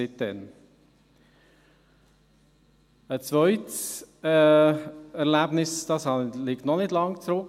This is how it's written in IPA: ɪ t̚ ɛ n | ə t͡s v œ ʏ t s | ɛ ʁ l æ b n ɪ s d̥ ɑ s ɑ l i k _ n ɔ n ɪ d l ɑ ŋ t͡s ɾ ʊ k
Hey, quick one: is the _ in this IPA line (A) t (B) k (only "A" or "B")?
A